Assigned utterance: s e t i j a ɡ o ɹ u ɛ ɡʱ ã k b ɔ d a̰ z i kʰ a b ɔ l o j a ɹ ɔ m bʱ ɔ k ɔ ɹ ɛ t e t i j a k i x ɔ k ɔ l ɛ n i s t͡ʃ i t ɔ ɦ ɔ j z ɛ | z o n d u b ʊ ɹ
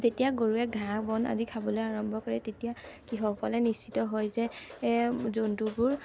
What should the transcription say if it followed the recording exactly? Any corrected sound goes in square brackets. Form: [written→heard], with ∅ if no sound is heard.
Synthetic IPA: [s→z] e t i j a ɡ o ɹ u ɛ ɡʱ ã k b ɔ [d→n] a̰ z i kʰ a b ɔ l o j a ɹ ɔ m bʱ ɔ k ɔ ɹ ɛ t e t i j a k i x ɔ k ɔ l ɛ n i s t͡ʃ i t ɔ ɦ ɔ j z ɛ | z o n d u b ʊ ɹ